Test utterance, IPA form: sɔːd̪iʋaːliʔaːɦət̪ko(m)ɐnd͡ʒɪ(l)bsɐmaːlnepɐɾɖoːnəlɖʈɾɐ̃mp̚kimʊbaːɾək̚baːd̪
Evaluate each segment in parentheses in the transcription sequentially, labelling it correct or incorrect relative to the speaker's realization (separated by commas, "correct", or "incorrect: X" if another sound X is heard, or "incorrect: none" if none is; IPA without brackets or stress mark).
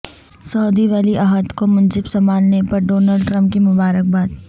correct, incorrect: none